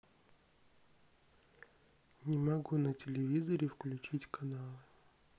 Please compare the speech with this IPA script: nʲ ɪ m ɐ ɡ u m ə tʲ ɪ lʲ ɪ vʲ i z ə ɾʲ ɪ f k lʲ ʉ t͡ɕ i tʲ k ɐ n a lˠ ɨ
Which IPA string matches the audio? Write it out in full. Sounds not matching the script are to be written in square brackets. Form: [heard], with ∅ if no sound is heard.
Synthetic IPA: nʲ ɪ m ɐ ɡ u [n] ə tʲ ɪ lʲ ɪ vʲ i z ə ɾʲ ɪ f k lʲ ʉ t͡ɕ i tʲ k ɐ n a lˠ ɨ